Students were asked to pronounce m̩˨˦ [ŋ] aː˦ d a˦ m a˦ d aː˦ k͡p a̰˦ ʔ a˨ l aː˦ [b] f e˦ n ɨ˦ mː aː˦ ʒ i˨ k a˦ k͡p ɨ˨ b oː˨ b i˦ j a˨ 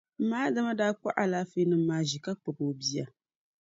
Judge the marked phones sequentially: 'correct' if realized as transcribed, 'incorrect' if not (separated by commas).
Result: incorrect, incorrect